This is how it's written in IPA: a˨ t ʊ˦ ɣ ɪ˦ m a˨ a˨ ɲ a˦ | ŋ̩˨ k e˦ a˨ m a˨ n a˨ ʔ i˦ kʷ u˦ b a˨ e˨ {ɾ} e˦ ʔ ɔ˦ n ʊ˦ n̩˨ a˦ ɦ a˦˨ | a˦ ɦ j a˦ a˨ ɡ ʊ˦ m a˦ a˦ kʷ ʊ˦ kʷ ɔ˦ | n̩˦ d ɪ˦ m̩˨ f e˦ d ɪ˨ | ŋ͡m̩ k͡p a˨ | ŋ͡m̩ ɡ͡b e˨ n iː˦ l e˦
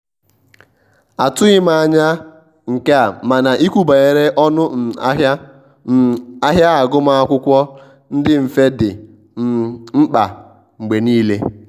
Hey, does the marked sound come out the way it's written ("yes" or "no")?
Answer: yes